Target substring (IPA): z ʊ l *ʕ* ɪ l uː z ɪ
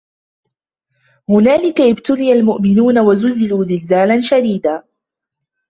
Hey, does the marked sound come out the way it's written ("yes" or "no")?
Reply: no